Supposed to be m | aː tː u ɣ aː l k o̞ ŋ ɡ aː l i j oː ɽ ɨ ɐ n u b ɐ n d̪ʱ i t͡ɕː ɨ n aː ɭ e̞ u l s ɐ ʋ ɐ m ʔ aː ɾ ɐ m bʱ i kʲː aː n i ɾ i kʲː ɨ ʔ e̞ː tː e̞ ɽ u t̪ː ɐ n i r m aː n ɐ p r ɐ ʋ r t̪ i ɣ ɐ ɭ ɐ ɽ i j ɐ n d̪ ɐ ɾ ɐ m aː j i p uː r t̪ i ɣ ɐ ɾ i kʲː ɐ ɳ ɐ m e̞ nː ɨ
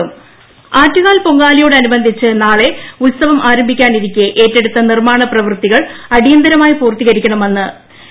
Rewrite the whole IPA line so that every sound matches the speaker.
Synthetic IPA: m | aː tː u ɣ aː l p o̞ ŋ ɡ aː l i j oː ɽ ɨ ɐ n u b ɐ n d̪ʱ i t͡ɕː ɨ n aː ɭ e̞ u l s ɐ ʋ ɐ m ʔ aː ɾ ɐ m bʱ i kʲː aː n i ɾ i kʲː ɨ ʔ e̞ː tː e̞ ɽ u t̪ː ɐ n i r m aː ɳ ɐ p r ɐ ʋ r t̪ i ɣ ɐ ɭ ɐ ɽ i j ɐ n d̪ ɐ ɾ ɐ m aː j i p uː r t̪ i ɣ ɐ ɾ i kʲː ɐ ɳ ɐ m e̞ nː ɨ